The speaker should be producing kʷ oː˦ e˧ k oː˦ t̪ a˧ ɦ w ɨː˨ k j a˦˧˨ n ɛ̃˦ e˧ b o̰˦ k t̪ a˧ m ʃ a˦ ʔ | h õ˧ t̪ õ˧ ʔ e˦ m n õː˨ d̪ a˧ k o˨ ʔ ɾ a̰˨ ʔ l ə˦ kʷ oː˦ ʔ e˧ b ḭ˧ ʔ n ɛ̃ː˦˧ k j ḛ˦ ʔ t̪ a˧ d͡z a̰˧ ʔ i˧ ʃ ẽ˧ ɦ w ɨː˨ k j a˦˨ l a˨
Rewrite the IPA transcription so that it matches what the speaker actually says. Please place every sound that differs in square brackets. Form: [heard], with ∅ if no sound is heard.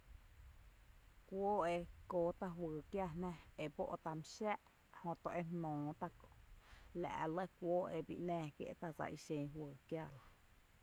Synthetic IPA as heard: kʷ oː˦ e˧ k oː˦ t̪ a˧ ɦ w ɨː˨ k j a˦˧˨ n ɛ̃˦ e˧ b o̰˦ [ʔ] t̪ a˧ m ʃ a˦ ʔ | h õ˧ t̪ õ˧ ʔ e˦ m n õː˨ [t̪] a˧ k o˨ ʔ [l] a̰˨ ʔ l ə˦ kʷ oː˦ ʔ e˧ b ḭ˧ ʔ n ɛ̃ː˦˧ k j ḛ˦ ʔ t̪ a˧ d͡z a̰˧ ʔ i˧ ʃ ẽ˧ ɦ w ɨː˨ k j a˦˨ l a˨

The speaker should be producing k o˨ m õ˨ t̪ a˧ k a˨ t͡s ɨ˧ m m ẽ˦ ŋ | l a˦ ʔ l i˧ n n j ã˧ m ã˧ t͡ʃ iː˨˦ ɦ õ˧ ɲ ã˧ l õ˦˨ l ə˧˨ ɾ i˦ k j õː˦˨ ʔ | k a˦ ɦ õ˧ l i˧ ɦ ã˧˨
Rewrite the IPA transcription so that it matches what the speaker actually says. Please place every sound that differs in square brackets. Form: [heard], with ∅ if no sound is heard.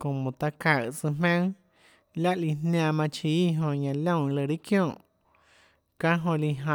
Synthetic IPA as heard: k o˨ m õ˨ t̪ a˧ k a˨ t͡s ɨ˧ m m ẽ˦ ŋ | l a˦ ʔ l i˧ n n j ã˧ m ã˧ t͡ʃ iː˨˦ ɦ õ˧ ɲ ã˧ l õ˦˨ l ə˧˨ ɾ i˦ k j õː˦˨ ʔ | k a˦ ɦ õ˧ l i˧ ɦ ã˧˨

